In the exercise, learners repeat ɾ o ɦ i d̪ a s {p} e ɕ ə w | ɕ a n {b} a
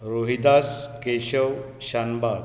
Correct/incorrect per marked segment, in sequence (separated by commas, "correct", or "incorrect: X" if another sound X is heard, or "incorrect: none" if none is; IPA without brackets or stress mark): incorrect: k, correct